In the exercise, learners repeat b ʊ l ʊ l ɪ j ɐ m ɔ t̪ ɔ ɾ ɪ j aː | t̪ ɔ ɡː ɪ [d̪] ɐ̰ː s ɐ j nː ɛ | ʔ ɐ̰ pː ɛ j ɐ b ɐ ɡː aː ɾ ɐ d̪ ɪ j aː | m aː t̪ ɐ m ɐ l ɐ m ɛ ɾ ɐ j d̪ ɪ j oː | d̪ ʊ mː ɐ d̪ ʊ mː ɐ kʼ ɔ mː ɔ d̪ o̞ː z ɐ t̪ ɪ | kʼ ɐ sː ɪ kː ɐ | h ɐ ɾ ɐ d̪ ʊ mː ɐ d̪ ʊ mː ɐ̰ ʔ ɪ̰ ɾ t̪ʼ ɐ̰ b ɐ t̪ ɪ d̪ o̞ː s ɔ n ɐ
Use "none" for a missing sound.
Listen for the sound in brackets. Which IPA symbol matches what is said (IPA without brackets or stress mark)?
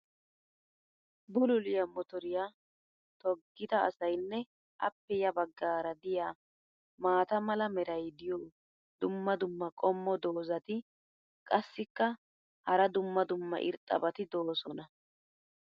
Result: t̪